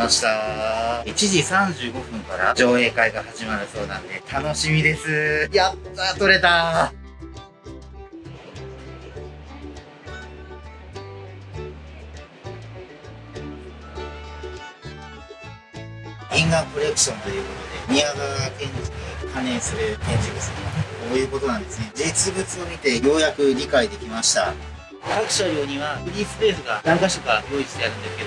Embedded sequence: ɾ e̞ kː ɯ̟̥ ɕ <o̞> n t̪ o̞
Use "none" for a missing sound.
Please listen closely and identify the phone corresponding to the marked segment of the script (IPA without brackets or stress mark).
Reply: õ̞